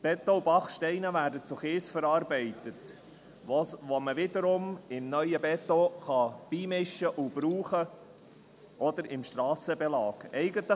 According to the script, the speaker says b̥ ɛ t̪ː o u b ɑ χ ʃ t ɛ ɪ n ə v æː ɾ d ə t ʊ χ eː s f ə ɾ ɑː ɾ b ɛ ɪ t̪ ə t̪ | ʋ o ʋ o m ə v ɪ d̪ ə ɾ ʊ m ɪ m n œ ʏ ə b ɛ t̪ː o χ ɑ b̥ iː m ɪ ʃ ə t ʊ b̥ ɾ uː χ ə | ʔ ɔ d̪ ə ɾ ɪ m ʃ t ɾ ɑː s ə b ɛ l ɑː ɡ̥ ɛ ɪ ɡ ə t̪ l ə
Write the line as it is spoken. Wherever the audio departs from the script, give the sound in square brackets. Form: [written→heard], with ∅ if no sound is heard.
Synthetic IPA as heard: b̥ ɛ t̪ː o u b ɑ χ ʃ t ɛ ɪ n ə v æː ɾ d ə [t→t͡s] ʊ χ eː s f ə ɾ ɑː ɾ b ɛ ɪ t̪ ə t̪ | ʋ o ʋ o m ə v ɪ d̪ ə ɾ ʊ m ɪ m n œ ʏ ə b ɛ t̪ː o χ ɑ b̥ iː m ɪ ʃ ə [t→ʔ] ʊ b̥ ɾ uː χ ə | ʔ ɔ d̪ ə ɾ ɪ m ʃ t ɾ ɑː s ə b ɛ l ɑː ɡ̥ ɛ ɪ ɡ ə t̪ l ə